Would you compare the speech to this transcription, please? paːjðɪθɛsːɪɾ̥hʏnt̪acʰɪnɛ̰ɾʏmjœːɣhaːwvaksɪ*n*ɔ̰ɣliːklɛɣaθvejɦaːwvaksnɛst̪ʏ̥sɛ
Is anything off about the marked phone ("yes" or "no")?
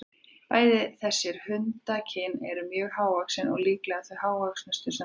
no